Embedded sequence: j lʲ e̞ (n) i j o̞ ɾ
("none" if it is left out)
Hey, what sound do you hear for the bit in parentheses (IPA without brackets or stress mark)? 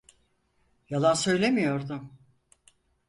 m